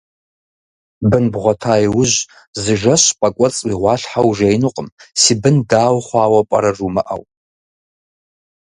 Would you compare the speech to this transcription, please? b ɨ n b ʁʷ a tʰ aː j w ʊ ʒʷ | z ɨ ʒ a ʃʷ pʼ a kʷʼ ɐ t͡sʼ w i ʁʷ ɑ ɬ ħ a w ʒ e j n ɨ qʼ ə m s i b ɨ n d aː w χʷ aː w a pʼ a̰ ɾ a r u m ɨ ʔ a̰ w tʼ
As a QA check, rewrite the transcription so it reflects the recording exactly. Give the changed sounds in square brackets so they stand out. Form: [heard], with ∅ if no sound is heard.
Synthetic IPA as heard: b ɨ n b ʁʷ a tʰ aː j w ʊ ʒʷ | z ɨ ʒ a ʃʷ pʼ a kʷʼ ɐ t͡sʼ w i ʁʷ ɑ ɬ ħ a w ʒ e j n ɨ qʼ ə m s i b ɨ n d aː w χʷ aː w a pʼ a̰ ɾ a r u m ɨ ʔ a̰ w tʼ